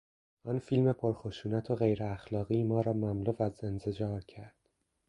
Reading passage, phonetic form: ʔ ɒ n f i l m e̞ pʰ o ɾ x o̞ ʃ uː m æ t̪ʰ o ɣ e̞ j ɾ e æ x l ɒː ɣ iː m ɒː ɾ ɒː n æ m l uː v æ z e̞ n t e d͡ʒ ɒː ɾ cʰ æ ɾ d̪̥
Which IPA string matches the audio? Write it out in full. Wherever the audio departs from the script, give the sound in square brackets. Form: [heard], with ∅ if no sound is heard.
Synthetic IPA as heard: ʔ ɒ n f i l m e̞ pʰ o ɾ x o̞ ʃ uː [n] æ t̪ʰ o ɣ e̞ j ɾ e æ x l ɒː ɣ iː m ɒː ɾ ɒː [m] æ m l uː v æ z e̞ n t e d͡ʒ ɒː ɾ cʰ æ ɾ d̪̥